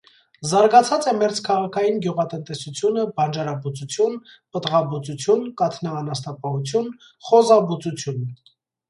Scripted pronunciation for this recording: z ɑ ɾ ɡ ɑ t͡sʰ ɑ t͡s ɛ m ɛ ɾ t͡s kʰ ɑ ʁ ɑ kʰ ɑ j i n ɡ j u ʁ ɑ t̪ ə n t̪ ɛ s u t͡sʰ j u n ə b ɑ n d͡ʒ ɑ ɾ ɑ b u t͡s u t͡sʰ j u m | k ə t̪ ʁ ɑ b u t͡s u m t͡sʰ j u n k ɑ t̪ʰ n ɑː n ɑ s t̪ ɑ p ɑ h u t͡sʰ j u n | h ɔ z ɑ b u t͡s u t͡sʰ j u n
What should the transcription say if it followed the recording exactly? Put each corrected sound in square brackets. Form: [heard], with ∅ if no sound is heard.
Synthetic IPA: z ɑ ɾ ɡ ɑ t͡sʰ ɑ t͡s ɛ m ɛ ɾ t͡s kʰ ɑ ʁ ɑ kʰ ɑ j i n ɡ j u ʁ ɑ t̪ ə n t̪ ɛ s u t͡sʰ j u n ə b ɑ n d͡ʒ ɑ ɾ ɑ b u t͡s u t͡sʰ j u [n] | [p] ə t̪ ʁ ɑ b u t͡s u [∅] t͡sʰ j u n k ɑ t̪ʰ n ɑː n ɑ s t̪ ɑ p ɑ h u t͡sʰ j u n | [χ] ɔ z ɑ b u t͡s u t͡sʰ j u n